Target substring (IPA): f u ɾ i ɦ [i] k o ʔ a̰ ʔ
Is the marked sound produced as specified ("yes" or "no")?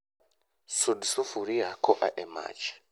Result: no